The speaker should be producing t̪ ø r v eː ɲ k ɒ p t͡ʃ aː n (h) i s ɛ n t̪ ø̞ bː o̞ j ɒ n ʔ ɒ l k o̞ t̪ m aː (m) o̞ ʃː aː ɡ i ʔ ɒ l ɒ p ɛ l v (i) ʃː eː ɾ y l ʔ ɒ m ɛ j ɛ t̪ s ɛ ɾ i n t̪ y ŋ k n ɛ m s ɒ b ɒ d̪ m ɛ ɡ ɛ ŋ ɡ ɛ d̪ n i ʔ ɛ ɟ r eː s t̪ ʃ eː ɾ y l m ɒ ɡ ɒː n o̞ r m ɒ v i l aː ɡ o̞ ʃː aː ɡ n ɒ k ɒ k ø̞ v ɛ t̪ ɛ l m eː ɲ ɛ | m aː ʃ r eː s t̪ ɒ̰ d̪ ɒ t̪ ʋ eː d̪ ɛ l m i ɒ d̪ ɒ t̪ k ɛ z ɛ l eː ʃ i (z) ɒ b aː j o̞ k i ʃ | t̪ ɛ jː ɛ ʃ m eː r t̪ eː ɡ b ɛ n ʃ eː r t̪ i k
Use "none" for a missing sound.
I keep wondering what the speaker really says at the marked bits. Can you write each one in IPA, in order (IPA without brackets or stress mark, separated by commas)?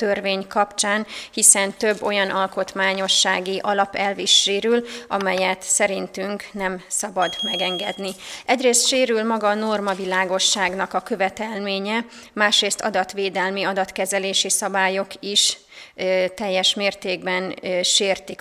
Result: h, ɲ, i, s